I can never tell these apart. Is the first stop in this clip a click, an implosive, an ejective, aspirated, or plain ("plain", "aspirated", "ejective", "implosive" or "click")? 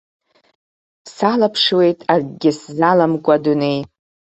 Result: aspirated